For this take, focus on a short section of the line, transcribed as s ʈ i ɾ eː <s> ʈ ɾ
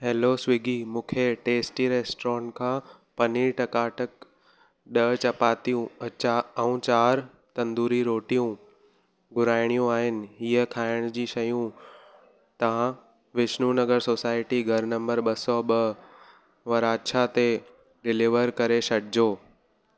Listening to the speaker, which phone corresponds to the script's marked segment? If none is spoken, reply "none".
s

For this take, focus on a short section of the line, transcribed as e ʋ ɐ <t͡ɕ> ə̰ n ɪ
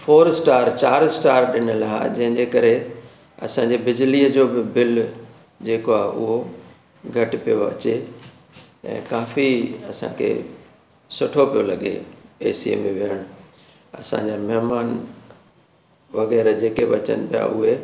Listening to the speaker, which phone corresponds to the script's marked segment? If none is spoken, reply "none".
t͡ɕ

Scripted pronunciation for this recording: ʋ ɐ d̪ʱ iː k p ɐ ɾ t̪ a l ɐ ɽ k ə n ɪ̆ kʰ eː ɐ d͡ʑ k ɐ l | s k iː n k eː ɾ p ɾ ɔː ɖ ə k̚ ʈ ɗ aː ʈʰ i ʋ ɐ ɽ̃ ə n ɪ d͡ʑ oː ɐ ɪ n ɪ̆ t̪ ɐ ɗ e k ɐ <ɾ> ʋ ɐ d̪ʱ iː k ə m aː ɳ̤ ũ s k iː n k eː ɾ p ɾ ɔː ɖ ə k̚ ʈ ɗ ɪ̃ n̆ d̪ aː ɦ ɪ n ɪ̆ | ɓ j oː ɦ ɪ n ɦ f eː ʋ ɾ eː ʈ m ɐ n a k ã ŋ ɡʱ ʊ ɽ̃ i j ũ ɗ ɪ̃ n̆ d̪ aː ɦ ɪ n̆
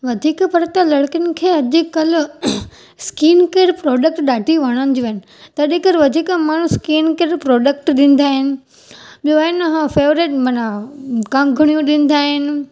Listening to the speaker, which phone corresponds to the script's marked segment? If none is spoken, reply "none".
ɾ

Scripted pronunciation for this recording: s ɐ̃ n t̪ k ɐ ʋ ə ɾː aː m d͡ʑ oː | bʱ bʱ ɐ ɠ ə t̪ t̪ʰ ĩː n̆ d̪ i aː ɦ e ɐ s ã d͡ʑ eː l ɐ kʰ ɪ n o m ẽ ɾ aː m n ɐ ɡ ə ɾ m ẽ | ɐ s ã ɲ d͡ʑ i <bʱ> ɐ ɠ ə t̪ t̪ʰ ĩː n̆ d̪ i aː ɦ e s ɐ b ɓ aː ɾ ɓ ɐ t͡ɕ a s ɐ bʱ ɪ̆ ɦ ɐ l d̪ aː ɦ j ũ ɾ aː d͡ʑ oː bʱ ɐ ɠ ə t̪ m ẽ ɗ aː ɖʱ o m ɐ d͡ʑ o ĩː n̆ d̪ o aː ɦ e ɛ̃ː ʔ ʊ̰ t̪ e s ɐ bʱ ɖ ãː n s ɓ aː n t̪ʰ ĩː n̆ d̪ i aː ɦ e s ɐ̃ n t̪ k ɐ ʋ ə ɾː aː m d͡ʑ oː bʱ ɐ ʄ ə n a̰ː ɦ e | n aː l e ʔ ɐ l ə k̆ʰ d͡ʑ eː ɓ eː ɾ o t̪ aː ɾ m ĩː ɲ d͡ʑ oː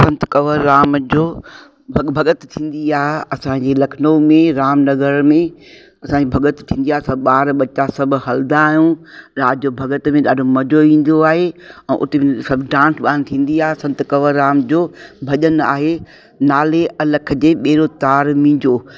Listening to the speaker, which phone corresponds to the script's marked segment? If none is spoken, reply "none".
bʱ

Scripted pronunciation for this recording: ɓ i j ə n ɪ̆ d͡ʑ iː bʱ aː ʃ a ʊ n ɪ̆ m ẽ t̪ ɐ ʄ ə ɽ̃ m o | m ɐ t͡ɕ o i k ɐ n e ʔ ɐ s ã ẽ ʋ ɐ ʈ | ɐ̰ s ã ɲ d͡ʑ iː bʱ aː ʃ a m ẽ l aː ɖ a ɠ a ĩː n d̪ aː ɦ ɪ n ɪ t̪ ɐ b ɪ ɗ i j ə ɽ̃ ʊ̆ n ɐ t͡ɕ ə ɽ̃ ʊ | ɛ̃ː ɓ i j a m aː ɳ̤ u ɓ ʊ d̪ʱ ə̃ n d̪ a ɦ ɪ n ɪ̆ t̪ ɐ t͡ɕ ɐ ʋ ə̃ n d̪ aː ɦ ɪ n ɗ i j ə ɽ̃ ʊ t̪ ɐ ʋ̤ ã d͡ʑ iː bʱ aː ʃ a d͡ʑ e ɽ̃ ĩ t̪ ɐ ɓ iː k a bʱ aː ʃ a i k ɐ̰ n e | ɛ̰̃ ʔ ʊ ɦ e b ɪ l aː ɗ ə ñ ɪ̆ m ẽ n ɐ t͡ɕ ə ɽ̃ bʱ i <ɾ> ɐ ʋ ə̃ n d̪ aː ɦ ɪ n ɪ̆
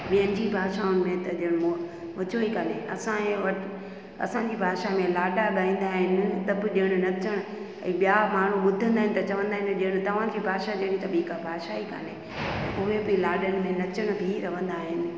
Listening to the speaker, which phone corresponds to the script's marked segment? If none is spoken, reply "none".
ɾ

